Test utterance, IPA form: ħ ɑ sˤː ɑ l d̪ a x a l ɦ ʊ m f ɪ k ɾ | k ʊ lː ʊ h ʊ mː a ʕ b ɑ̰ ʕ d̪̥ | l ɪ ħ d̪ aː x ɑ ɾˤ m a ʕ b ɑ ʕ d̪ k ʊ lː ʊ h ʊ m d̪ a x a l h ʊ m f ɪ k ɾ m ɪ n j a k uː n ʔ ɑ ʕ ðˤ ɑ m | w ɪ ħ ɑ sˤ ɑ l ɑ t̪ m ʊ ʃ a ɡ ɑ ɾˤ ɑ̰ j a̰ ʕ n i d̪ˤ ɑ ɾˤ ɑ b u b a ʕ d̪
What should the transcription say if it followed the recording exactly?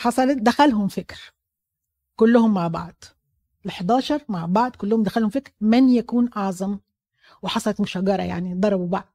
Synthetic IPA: ħ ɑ sˤ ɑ l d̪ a x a l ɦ ʊ m f ɪ k ɾ | k ʊ lː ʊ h ʊ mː a ʕ b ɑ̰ ʕ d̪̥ | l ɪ ħ d̪ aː ʃ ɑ ɾˤ m a ʕ b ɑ ʕ d̪ k ʊ lː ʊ h ʊ m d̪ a x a l h ʊ m f ɪ k ɾ m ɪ n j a k uː n ʔ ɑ ʕ zˤ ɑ m | w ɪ ħ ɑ sˤ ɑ l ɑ t̪ m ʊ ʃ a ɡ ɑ ɾˤ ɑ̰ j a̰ ʕ n i d̪ˤ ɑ ɾˤ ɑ b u b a ʕ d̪